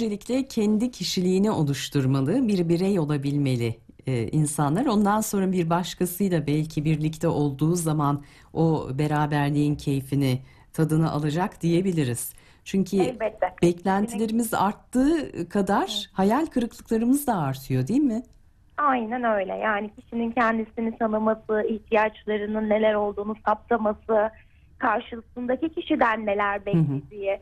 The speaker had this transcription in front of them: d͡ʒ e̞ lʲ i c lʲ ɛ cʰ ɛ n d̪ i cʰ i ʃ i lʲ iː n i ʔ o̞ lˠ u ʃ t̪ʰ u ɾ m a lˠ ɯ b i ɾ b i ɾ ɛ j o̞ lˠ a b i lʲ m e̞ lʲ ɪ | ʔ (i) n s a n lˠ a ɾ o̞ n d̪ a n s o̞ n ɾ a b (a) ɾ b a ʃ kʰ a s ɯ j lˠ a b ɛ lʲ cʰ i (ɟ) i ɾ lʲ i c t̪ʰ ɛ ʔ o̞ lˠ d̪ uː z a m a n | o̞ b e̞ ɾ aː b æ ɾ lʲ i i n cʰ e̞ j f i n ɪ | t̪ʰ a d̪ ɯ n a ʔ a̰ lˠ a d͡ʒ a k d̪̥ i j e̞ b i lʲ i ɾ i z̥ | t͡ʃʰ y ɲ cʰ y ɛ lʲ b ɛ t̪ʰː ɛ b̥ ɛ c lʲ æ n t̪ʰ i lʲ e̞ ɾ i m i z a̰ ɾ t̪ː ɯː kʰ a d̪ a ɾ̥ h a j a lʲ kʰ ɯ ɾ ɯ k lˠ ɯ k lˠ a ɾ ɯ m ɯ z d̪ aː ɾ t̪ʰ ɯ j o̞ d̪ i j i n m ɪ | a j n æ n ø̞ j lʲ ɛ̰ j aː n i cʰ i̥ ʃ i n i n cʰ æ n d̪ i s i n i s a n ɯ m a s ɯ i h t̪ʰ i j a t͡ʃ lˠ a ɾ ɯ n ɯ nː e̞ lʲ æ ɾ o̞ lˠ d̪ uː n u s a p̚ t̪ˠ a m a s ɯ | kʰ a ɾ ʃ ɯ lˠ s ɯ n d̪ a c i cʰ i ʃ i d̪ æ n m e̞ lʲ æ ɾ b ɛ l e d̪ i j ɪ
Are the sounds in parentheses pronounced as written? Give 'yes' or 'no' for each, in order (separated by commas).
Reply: yes, no, no